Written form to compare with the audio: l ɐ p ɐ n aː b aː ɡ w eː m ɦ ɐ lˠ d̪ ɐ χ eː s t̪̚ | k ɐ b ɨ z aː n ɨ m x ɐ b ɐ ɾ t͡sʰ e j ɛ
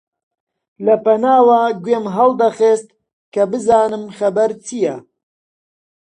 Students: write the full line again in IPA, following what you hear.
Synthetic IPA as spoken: l ɐ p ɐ n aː w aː ɡ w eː m ɦ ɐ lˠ d̪ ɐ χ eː s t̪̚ | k ɐ b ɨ z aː n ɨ m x ɐ b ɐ ɾ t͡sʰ i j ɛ